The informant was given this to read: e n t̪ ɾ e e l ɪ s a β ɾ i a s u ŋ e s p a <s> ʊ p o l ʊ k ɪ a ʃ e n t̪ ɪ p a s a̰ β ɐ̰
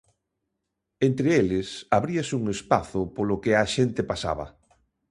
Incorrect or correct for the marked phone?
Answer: incorrect: θ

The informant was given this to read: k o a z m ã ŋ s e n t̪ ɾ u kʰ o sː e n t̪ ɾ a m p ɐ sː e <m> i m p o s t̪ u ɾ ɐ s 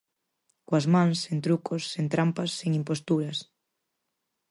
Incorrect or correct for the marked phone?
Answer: incorrect: ŋ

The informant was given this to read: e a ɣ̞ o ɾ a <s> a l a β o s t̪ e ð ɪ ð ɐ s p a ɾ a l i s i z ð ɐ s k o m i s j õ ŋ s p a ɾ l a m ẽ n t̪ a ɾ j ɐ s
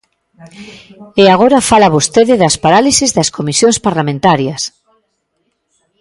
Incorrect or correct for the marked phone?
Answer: incorrect: f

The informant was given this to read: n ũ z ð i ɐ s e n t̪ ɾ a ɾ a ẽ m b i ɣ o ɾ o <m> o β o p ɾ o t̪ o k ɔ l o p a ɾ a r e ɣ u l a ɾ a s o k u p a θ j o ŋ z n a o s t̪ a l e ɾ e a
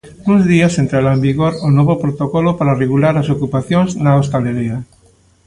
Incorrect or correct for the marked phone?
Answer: incorrect: n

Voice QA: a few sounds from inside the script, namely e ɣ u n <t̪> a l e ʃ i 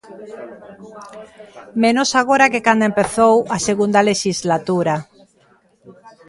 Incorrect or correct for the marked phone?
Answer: incorrect: d̪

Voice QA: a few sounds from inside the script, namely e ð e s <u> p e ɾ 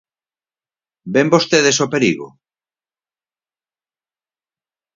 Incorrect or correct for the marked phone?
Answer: incorrect: o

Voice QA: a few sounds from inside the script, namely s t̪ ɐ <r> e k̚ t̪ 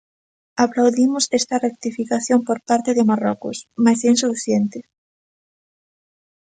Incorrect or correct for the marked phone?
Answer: correct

